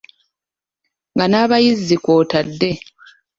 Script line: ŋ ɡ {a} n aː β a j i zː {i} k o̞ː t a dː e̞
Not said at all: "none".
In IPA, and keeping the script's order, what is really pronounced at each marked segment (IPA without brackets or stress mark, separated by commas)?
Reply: a, i